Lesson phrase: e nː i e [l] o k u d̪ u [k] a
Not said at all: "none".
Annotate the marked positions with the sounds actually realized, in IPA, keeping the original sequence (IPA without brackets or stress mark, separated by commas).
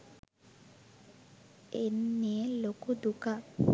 l, k